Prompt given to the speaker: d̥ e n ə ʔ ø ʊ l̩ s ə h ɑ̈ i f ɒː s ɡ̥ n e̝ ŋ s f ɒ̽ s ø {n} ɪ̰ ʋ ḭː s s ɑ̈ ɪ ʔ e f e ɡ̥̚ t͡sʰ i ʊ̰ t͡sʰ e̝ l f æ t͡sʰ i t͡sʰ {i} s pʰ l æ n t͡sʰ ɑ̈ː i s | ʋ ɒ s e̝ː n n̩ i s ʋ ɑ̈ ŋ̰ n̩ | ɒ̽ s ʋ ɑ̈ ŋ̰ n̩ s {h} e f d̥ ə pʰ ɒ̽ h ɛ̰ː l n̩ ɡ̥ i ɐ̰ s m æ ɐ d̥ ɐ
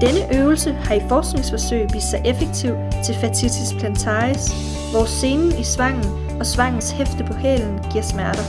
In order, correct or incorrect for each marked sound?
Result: incorrect: none, correct, correct

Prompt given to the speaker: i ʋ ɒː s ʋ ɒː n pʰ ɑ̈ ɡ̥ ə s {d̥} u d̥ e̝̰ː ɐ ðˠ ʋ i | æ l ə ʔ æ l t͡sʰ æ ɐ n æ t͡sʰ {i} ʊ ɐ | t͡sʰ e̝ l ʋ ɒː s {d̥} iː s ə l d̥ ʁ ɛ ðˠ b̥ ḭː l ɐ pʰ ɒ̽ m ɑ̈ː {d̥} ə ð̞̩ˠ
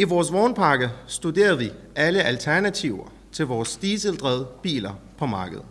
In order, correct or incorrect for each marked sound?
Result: correct, correct, correct, incorrect: ɡ̥

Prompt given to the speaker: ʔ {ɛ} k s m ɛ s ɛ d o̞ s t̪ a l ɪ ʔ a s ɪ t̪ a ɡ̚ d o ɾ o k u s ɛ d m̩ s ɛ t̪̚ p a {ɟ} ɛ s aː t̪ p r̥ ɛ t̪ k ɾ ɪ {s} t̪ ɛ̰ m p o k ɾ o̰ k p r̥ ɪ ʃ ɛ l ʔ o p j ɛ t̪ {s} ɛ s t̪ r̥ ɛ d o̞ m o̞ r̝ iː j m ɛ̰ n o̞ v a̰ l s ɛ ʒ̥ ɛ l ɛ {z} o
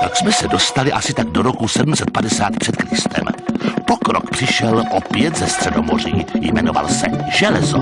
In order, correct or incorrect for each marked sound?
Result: incorrect: a, incorrect: d, correct, incorrect: z, correct

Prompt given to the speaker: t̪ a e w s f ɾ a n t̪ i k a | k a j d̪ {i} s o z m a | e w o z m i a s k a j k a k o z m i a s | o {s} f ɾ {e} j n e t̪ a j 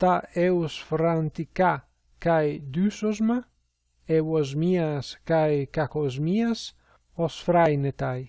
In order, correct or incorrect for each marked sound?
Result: incorrect: y, correct, incorrect: a

